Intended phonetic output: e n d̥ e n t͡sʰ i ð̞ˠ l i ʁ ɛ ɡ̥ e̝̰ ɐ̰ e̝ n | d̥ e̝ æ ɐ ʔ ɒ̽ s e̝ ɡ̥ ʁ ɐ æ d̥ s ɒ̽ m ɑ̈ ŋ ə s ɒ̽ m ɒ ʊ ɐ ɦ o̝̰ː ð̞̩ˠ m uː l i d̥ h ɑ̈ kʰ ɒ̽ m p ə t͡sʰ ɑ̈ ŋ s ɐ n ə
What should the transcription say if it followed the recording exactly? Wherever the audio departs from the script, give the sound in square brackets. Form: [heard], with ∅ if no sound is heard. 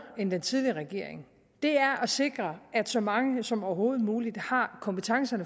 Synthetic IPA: e n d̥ e n t͡sʰ i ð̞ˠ l i ʁ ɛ ɡ̥ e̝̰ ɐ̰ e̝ [ŋ] | d̥ e̝ æ ɐ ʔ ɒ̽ s e̝ ɡ̥ ʁ ɐ æ d̥ s ɒ̽ m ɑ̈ ŋ ə s ɒ̽ m ɒ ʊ ɐ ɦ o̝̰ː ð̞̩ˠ m uː l i d̥ h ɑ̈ kʰ ɒ̽ m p ə t͡sʰ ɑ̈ ŋ s ɐ n ə